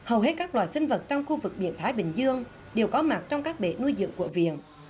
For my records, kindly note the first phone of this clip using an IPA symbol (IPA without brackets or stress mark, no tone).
h